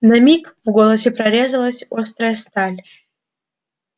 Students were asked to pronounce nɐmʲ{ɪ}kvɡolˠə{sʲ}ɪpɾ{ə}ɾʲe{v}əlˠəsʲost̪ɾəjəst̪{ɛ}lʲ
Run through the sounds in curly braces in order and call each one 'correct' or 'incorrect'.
incorrect: i, correct, incorrect: ɐ, incorrect: z, incorrect: a

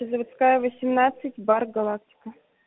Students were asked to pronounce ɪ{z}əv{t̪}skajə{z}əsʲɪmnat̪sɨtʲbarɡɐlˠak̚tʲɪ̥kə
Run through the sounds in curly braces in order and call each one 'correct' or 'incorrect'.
correct, correct, incorrect: v

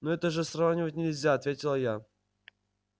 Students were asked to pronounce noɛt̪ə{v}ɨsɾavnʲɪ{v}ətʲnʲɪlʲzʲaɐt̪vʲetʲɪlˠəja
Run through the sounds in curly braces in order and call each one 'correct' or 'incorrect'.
incorrect: ʐ, correct

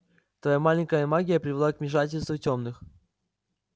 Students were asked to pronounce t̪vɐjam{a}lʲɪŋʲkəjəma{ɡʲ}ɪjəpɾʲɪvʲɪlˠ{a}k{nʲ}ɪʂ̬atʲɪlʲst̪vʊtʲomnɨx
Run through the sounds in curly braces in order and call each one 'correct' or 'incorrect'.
correct, correct, correct, incorrect: mʲ

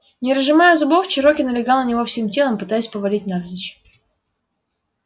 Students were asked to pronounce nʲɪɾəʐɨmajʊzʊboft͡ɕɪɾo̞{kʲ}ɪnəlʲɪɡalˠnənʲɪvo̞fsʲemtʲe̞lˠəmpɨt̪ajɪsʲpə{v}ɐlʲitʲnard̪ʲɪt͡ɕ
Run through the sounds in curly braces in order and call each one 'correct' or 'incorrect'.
correct, correct

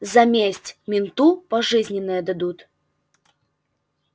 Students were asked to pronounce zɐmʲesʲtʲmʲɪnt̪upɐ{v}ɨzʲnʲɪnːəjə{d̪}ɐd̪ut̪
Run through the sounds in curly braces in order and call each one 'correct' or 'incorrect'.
incorrect: ʐ, correct

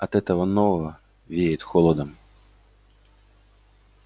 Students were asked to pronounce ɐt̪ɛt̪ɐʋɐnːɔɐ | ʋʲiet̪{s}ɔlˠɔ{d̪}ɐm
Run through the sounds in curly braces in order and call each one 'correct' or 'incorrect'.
incorrect: x, correct

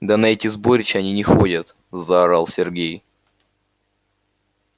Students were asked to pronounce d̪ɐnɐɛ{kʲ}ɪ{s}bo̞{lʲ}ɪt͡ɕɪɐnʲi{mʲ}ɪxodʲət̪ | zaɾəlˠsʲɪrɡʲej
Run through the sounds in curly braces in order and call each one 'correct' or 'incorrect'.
incorrect: tʲ, incorrect: z, incorrect: ɾʲ, incorrect: nʲ

